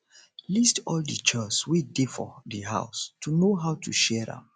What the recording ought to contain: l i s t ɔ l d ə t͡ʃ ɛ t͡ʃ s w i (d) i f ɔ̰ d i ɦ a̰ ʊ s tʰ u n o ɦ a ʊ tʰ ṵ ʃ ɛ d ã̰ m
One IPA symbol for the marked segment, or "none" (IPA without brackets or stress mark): d